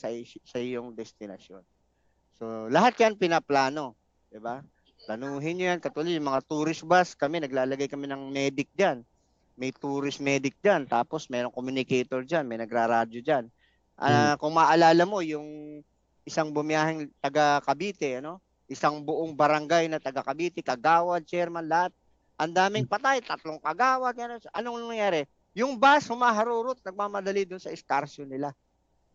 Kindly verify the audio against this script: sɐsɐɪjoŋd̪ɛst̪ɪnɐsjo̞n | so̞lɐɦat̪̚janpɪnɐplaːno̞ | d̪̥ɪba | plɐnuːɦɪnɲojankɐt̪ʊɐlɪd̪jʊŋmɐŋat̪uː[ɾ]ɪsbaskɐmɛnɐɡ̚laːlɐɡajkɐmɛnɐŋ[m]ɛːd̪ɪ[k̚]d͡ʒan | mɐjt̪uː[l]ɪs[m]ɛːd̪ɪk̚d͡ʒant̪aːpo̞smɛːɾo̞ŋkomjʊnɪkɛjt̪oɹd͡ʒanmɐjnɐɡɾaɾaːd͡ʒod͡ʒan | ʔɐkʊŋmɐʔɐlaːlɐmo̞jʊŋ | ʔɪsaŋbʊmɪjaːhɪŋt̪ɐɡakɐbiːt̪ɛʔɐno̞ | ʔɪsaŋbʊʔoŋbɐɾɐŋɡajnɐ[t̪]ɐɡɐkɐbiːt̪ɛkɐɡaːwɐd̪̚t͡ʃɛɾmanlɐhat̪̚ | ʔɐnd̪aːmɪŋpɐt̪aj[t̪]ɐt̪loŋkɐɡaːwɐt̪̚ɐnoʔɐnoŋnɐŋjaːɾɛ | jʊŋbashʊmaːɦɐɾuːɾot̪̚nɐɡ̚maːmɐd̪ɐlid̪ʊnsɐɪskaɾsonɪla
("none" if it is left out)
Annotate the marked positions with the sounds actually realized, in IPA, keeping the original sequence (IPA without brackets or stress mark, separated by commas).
ɾ, m, k̚, ɾ, m, t̪, t̪